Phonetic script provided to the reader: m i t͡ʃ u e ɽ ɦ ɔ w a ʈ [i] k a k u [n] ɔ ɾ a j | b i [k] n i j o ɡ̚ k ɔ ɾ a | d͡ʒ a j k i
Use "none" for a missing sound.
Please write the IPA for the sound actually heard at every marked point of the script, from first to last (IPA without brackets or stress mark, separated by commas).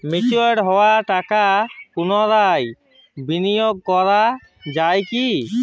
a, n, none